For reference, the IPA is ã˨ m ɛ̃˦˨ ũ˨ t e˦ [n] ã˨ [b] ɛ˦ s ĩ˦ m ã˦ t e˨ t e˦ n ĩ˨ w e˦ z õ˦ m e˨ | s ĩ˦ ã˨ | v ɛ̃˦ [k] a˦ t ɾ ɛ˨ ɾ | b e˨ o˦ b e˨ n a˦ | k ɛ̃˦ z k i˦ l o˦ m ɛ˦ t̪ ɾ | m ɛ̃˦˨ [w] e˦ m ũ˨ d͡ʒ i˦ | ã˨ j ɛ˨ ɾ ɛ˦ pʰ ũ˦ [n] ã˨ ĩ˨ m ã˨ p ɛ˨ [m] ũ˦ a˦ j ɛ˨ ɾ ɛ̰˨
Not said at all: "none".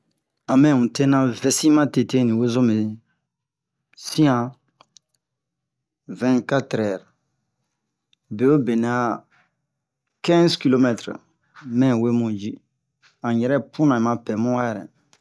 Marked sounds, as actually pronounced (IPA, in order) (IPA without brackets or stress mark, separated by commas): n, v, k, w, n, m